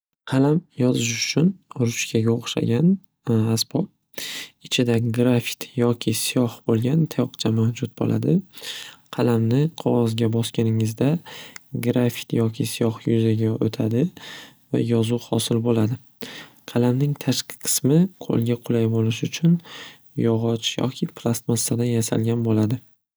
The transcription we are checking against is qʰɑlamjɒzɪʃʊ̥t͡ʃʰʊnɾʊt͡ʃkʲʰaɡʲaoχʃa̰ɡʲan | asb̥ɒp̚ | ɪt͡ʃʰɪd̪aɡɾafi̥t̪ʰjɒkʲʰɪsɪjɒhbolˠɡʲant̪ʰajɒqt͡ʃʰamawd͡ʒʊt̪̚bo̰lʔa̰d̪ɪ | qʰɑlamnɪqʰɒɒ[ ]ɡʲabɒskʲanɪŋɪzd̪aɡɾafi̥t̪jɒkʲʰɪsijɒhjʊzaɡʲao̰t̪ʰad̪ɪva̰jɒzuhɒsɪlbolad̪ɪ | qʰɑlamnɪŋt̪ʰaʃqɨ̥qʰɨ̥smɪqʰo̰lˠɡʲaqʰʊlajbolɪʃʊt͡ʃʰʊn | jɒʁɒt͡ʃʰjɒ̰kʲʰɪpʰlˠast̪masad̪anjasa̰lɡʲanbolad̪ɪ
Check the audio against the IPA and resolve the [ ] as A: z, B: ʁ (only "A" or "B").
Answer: A